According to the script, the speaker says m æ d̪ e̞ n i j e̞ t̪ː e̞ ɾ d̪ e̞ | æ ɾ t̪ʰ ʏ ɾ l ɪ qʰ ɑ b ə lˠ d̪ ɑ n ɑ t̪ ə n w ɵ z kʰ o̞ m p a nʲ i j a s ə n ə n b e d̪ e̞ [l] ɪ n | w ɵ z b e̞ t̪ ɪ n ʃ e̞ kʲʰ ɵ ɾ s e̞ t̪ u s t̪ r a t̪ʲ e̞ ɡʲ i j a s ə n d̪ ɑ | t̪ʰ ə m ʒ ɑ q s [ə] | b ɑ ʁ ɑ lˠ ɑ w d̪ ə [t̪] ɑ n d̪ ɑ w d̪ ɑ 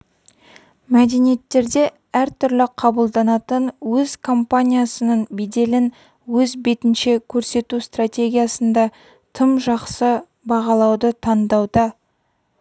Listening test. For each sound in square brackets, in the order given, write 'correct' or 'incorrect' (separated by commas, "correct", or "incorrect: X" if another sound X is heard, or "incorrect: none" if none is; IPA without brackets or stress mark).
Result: correct, correct, incorrect: t̪ʰ